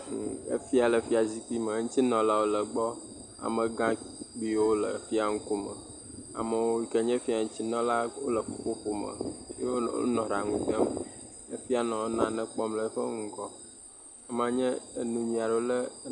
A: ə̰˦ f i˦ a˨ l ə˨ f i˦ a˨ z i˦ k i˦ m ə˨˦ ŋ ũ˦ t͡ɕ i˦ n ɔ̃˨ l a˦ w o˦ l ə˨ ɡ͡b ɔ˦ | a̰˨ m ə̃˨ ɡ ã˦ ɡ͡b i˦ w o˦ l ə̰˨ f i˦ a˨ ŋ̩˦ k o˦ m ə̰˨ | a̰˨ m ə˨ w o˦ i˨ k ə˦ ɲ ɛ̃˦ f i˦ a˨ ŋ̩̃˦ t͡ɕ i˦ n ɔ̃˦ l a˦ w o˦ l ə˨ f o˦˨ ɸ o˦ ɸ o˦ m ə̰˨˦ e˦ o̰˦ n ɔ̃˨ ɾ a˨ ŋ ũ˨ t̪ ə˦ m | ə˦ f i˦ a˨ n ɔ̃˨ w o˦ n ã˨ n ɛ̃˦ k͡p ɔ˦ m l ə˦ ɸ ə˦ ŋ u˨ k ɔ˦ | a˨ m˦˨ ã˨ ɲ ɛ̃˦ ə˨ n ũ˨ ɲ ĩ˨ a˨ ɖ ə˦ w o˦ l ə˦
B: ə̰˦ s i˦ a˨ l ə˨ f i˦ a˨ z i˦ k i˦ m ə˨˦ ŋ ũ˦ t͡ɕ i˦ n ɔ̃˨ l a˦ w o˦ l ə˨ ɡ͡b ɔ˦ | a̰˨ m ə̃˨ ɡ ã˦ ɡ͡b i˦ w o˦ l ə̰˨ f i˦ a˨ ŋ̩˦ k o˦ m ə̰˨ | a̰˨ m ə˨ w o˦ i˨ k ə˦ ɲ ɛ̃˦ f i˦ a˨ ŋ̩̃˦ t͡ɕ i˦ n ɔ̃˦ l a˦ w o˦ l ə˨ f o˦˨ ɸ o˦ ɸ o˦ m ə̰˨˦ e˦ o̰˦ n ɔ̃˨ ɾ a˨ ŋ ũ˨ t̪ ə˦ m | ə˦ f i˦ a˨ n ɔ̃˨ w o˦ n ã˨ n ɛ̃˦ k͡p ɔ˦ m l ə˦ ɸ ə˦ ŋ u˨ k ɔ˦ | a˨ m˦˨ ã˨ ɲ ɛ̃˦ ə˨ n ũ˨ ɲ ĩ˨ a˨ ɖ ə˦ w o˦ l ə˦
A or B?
A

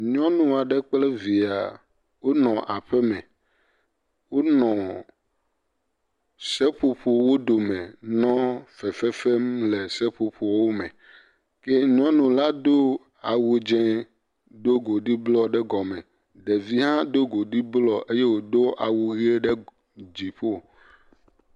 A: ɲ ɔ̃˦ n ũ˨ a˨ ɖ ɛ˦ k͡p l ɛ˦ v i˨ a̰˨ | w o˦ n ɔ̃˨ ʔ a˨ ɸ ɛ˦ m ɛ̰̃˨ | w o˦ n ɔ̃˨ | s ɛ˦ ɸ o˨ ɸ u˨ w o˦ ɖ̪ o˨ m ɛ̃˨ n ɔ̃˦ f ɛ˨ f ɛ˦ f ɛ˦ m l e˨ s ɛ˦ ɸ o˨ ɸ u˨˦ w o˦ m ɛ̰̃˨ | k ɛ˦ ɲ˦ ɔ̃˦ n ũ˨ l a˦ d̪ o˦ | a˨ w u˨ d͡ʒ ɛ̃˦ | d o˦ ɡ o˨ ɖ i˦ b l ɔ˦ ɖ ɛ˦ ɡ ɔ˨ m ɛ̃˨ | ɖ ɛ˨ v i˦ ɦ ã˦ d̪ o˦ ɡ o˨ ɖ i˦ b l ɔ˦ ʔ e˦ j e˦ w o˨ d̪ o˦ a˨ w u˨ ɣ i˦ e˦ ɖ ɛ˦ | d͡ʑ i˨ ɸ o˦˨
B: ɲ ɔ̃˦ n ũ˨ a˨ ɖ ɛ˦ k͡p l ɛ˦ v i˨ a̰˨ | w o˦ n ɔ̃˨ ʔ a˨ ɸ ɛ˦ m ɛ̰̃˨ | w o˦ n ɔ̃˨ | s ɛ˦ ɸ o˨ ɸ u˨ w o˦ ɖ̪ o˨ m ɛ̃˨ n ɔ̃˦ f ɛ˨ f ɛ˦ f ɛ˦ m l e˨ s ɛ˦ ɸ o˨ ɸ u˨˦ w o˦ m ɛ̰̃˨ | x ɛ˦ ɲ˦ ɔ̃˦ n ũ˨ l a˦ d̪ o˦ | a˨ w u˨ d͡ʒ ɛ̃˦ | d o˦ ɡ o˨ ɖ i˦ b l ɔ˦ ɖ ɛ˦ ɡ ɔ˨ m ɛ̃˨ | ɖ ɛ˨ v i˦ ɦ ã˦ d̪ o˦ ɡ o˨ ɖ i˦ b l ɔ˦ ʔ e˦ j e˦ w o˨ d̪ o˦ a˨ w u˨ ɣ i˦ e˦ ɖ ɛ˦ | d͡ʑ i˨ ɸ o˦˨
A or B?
A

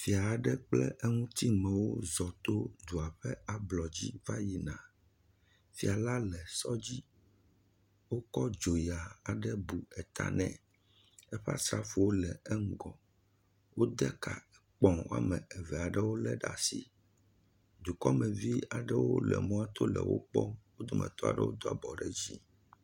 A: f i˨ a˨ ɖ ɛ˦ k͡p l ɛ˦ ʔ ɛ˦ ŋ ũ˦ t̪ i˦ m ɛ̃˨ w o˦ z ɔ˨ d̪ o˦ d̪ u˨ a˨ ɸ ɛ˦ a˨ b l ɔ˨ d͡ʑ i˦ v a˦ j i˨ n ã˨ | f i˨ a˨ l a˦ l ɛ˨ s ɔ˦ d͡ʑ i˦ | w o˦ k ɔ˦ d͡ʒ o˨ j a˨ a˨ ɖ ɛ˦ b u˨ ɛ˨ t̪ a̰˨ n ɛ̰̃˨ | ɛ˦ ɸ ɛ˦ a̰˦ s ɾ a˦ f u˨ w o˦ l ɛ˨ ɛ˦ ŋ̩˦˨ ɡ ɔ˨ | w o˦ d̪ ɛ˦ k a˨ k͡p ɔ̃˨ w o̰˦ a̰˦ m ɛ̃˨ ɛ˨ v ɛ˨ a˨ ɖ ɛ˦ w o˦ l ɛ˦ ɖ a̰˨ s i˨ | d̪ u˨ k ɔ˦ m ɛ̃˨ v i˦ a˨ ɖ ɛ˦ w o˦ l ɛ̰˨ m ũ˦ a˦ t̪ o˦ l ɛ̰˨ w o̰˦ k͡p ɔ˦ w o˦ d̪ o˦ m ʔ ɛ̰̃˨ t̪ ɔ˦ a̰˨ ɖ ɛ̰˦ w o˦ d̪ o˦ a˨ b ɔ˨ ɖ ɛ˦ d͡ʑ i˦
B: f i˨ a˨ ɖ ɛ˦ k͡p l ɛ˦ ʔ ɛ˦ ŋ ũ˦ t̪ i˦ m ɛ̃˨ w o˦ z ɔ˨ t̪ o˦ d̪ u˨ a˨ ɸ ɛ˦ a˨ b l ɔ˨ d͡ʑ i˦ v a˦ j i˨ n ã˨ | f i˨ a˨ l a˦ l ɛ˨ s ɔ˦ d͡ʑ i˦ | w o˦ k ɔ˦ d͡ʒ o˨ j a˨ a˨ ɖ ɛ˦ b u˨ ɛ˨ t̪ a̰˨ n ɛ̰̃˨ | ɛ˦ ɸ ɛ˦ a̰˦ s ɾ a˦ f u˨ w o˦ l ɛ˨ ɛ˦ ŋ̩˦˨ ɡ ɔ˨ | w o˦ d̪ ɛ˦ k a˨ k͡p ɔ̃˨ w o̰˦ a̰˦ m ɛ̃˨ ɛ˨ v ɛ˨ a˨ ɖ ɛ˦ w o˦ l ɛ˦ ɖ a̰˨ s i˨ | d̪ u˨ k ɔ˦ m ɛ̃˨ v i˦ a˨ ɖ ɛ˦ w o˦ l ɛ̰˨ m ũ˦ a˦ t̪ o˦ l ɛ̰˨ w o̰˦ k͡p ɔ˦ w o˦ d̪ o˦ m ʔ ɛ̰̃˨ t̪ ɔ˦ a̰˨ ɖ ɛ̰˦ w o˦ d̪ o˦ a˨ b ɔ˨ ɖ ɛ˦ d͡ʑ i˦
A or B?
B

